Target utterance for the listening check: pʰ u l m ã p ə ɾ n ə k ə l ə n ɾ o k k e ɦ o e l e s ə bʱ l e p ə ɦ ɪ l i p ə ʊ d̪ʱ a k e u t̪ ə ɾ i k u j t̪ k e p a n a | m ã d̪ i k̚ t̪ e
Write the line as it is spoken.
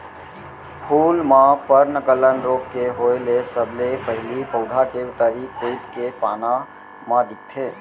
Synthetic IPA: pʰ u l m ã p ə ɾ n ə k ə l ə n ɾ o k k e ɦ o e l e s ə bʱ l e p ə ɦ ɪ l i p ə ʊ d̪ʱ a k e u t̪ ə ɾ i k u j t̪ k e p a n a | m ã d̪ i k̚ t̪ʰ e